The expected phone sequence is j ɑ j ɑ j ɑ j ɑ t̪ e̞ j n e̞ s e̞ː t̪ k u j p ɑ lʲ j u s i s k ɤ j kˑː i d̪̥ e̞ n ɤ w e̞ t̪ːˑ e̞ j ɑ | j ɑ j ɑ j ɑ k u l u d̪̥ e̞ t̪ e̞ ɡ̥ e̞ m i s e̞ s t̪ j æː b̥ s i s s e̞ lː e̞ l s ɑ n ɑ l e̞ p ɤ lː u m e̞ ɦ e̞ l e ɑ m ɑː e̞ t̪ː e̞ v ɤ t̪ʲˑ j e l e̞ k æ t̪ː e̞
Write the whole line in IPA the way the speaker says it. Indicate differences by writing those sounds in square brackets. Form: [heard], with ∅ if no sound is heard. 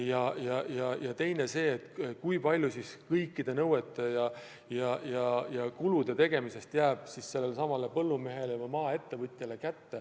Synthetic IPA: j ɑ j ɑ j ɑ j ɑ t̪ e̞ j n e̞ s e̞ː t̪ k u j p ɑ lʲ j u s i s k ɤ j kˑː i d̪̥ e̞ n ɤ w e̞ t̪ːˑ e̞ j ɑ | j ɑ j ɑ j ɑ k u l u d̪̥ e̞ t̪ e̞ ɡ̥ e̞ m i s e̞ s t̪ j æː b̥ s i s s e̞ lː e̞ l s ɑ [m] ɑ l e̞ p ɤ lː u m e̞ ɦ e̞ l e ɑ m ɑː e̞ t̪ː e̞ v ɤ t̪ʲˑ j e l e̞ k æ t̪ː e̞